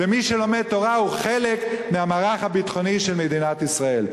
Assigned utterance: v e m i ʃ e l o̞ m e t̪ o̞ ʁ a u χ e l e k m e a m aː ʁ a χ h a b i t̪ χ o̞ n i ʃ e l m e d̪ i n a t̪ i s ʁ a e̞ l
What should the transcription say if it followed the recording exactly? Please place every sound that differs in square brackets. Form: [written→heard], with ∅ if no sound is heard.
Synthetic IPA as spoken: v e m i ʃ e l o̞ m e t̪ o̞ ʁ a u χ e l e k m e a m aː ʁ a χ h a b i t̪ χ o̞ n i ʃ e l m e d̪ i n a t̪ i s ʁ a e̞ l

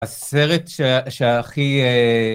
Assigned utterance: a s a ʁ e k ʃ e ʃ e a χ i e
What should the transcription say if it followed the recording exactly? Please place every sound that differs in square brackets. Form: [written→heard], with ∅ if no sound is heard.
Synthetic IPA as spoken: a s [a→e] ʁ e [k→t] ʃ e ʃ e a χ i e

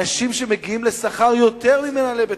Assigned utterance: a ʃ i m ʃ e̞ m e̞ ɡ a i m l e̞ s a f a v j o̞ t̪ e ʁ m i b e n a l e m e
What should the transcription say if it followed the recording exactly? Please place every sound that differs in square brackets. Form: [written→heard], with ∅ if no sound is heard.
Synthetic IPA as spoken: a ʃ i m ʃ e̞ m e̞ ɡ [a→i] i m l e̞ s a [f→χ] a [v→ʁ] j o̞ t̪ e ʁ m i [b→m] e n a l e [m→b] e

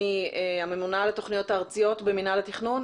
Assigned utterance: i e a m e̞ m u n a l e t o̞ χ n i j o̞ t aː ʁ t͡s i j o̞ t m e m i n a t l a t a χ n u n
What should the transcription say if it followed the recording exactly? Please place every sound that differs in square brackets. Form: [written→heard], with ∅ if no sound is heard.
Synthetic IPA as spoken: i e a m e̞ m u n a l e t o̞ χ n i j o̞ t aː ʁ t͡s i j o̞ t [m→b] e m i n a [t→∅] l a t [a→i] χ n u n

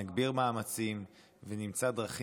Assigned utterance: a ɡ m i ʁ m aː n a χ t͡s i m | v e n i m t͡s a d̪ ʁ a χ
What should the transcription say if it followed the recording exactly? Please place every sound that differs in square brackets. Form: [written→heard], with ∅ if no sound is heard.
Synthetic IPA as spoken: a ɡ [m→b] i ʁ m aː [n→m] a [χ→∅] t͡s i m | v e n i m t͡s a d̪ ʁ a χ

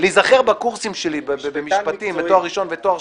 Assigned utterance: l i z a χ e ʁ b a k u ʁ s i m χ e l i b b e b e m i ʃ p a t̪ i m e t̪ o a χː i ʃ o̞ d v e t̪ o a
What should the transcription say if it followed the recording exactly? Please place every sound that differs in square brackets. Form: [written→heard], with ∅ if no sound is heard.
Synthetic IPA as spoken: l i z a χ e ʁ b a k u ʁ s i m [χ→ʃ] e l i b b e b e m i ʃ p a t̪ i m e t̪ o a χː i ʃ o̞ [d→n] v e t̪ o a

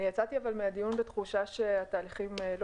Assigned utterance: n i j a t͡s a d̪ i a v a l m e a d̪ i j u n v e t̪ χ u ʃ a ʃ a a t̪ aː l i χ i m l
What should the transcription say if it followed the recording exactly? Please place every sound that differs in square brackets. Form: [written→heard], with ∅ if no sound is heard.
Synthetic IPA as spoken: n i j a t͡s a [d̪→t̪] i a v a l m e a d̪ i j u n [v→b] e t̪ χ u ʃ a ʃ [a→e] a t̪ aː l i χ i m l

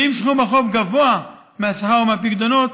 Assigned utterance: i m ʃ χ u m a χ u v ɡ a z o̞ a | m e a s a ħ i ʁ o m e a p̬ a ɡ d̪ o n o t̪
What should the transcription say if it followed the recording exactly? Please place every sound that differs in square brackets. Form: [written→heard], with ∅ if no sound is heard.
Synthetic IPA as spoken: i m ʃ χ u m a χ [u→o] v ɡ a [z→v] o̞ a | m e a s a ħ [i→a] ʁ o m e a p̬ [a→i] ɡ d̪ o n o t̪

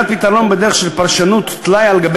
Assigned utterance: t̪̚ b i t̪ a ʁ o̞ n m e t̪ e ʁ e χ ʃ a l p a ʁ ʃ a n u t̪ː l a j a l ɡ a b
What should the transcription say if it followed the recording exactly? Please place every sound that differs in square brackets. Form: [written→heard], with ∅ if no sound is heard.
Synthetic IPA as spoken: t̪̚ [b→p] i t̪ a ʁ o̞ n [m→b] e [t̪→d̪] e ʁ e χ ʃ [a→e] l p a ʁ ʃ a n u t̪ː l a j a l ɡ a b

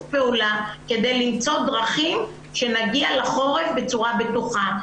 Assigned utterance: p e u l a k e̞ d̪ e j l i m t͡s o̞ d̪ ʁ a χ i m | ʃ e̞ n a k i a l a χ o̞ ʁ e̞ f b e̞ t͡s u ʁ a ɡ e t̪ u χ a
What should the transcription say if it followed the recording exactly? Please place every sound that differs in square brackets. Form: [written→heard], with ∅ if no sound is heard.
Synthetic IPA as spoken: p e u l a k e̞ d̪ e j l i m t͡s o̞ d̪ ʁ a χ i m | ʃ e̞ n a [k→ɡ] i a l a χ o̞ ʁ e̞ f b e̞ t͡s u ʁ a [ɡ→b] e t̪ u χ a

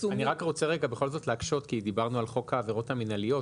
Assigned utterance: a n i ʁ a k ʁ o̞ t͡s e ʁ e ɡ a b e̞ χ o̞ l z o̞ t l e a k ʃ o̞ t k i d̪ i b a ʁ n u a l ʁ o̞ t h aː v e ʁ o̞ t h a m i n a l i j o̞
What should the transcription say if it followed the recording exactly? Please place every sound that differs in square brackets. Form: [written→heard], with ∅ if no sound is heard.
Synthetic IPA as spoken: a n i ʁ a k ʁ o̞ t͡s e ʁ e ɡ a b e̞ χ o̞ l z o̞ t l e a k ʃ o̞ t k i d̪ i b a ʁ n u a l [ʁ→χ] o̞ [t→k] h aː v e ʁ o̞ t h a m i n a l i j o̞

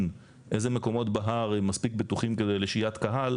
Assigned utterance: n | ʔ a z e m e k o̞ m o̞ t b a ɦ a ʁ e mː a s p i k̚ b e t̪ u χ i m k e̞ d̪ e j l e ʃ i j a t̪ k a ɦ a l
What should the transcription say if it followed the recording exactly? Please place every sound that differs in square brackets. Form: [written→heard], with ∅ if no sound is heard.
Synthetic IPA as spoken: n | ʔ [a→e] z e m e k o̞ m o̞ t b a ɦ a ʁ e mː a s p i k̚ b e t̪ u χ i m k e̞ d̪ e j l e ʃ i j a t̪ k a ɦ a l

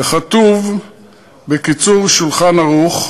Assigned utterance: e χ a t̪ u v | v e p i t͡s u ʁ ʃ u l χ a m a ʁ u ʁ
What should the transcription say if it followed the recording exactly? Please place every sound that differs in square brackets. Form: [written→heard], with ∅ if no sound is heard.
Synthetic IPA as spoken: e χ a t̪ u v | [v→b] e [p→k] i t͡s u ʁ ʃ u l χ a [m→n] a ʁ u [ʁ→χ]

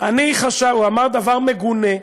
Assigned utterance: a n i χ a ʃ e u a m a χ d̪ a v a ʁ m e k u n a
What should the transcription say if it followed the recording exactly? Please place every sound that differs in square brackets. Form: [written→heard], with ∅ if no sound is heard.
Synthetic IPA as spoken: a n i χ a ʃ [e→a] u a m a [χ→ʁ] d̪ a v a ʁ m e [k→ɡ] u n [a→e]

